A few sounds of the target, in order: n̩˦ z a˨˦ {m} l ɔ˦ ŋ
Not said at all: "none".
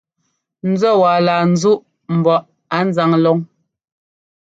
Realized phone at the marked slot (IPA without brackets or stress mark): ŋ